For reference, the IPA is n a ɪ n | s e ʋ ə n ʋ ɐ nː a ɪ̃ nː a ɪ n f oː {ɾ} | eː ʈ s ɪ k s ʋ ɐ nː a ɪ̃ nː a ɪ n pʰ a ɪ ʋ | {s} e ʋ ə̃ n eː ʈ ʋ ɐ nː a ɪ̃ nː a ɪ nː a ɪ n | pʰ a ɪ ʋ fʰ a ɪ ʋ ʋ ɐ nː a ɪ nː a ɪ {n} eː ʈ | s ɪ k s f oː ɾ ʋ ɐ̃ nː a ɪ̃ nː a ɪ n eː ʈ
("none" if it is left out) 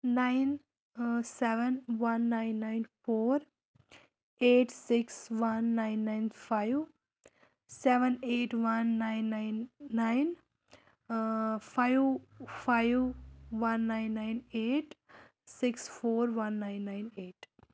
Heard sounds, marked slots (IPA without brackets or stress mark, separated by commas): ɾ, s, n